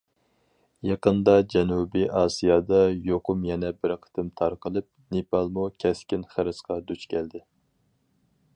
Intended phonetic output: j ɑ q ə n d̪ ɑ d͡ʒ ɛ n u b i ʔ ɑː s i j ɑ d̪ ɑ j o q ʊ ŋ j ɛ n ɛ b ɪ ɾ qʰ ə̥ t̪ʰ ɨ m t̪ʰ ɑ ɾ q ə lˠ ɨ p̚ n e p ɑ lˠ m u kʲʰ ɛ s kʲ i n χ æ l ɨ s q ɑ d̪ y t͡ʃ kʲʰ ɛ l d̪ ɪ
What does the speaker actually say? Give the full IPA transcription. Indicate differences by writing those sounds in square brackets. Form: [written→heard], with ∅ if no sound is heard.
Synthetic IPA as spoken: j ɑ q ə n d̪ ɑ d͡ʒ ɛ n u b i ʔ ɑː s i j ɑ d̪ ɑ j o q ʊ [ŋ→m] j ɛ n ɛ b ɪ ɾ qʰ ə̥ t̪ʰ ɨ m t̪ʰ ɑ ɾ q ə lˠ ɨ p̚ n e p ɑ lˠ m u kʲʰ ɛ s kʲ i n χ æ [l→ɾ] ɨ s q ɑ d̪ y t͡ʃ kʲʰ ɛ l d̪ ɪ